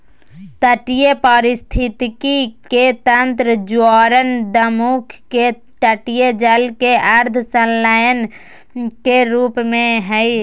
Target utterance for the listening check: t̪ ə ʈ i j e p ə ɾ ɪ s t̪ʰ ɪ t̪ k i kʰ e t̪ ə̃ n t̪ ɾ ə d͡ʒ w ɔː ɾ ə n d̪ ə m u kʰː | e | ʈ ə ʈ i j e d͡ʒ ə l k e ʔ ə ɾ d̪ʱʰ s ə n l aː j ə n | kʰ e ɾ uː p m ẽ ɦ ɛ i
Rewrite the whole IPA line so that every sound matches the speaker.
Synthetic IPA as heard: t̪ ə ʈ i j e p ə ɾ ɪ s t̪ʰ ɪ t̪ k i k e t̪ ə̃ n t̪ ɾ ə d͡ʒ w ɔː ɾ ə n d̪ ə m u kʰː | e | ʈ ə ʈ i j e d͡ʒ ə l k e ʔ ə ɾ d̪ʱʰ s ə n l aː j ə n | k e ɾ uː p m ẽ ɦ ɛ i